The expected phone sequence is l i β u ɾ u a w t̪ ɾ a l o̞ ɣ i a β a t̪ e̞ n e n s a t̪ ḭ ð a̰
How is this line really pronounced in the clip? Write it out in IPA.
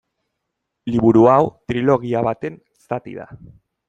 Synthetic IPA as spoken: l i β u ɾ u a w t̪ ɾ i l o̞ ɣ i a β a t̪ e̞ n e s a t̪ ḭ ð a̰